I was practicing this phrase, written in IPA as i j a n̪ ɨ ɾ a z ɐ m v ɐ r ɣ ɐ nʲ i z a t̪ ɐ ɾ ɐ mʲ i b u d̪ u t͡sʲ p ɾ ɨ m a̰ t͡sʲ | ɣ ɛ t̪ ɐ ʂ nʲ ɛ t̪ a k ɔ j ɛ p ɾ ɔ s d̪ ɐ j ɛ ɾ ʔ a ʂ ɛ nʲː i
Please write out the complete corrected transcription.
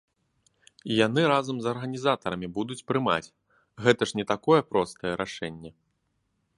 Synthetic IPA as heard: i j a n̪ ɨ ɾ a z ɐ m z ɐ r ɣ ɐ nʲ i z a t̪ ɐ ɾ ɐ mʲ i b u d̪ u t͡sʲ p ɾ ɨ m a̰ t͡sʲ | ɣ ɛ t̪ ɐ ʂ nʲ ɛ t̪ a k ɔ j ɛ p ɾ ɔ s t̪ ɐ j ɛ ɾ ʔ a ʂ ɛ nʲː ɛ